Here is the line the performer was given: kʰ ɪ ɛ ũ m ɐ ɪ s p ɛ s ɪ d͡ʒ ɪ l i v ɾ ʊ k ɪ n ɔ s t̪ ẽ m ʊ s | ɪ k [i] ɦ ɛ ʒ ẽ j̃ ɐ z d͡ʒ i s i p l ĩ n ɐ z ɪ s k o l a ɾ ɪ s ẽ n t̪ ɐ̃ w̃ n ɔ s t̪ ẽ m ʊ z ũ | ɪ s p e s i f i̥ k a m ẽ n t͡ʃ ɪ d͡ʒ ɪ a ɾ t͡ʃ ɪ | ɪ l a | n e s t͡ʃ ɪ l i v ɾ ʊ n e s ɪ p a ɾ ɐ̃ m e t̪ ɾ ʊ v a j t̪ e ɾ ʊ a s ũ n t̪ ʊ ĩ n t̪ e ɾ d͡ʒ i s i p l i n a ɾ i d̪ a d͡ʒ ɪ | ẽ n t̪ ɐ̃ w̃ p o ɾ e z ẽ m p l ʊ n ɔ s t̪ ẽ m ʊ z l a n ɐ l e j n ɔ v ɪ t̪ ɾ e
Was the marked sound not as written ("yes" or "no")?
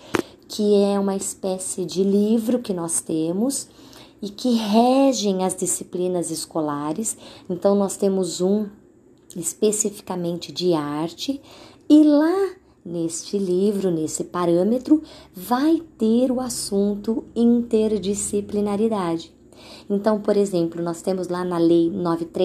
yes